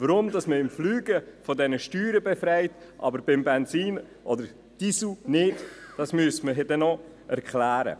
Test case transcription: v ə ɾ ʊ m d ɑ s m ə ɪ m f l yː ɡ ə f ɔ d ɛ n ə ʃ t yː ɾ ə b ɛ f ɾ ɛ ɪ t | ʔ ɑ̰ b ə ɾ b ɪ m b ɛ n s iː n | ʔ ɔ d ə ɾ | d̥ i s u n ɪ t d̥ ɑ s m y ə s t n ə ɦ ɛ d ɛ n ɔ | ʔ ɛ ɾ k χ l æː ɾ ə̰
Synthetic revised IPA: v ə ɾ ʊ m d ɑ s m ə ɪ m f l yː ɡ ə f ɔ d ɛ n ə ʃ t yː ɾ ə b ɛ f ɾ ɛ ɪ t | ʔ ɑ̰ b ə ɾ b ɪ m b ɛ n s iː n | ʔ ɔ d ə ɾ | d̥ i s u n ɪ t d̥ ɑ s m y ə s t m ə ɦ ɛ d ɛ n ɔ | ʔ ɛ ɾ k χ l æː ɾ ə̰